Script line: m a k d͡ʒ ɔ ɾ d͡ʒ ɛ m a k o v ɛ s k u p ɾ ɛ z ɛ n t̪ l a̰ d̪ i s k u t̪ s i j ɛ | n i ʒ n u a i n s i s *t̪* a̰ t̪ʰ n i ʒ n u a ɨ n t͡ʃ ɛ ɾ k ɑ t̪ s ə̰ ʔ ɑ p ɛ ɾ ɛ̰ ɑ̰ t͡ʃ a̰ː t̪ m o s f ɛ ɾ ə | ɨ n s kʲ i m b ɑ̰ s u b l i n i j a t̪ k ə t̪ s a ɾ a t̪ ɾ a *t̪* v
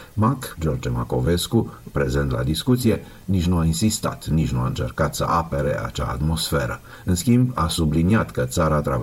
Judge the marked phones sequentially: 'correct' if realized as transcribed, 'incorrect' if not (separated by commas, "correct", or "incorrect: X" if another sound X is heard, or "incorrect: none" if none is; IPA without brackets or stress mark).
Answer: correct, incorrect: none